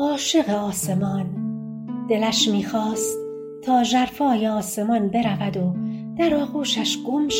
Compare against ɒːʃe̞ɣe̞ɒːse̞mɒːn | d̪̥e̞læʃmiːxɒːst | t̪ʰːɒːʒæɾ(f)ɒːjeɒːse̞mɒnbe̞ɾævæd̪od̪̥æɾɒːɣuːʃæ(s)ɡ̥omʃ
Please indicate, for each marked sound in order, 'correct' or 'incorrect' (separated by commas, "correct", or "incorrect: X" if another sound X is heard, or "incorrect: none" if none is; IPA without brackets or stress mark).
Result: correct, incorrect: ʃ